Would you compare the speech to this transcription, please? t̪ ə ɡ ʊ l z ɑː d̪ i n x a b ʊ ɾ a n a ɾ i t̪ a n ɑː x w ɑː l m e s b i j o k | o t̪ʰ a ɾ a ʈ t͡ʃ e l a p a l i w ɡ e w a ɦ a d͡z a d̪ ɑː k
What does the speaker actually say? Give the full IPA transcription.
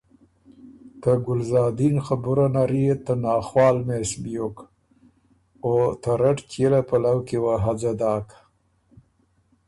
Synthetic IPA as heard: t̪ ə ɡ ʊ l z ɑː d̪ i n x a b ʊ ɾ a n a ɾ i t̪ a n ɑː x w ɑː l m e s b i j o k | o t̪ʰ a ɾ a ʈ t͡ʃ e l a p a l a w k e w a ɦ a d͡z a d̪ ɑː k